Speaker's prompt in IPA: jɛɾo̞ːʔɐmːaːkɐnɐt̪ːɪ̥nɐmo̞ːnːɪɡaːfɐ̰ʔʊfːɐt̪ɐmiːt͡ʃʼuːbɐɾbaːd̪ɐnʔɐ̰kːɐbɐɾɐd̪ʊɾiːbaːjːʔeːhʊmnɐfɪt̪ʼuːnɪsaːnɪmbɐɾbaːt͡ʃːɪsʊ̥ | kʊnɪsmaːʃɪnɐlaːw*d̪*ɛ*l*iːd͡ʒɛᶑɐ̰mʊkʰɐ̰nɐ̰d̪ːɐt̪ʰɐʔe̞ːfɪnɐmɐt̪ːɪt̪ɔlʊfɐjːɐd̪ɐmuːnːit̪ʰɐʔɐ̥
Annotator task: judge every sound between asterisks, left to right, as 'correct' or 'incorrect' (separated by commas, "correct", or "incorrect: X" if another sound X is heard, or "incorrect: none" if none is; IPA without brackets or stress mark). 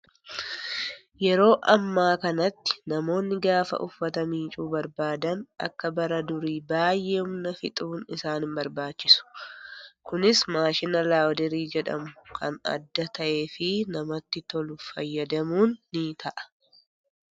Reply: correct, incorrect: ɾ